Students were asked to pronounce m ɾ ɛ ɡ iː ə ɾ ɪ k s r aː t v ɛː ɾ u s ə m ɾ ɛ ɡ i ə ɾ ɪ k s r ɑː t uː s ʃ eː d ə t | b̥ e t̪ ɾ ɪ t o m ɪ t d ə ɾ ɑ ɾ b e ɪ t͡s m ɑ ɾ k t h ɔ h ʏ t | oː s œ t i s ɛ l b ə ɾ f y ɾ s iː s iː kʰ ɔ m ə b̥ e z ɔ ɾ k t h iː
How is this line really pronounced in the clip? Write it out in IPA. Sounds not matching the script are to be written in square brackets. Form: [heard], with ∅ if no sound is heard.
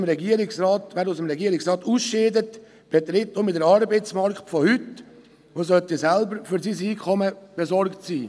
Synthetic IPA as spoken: m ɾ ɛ ɡ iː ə ɾ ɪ k s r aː t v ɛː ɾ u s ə m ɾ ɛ ɡ i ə ɾ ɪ k s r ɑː t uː s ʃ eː d ə t | b̥ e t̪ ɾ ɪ t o m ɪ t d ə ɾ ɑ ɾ b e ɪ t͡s m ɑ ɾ k t [f] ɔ h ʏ t | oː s œ t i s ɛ l b ə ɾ f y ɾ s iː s iː kʰ ɔ m ə b̥ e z ɔ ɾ k t [s] iː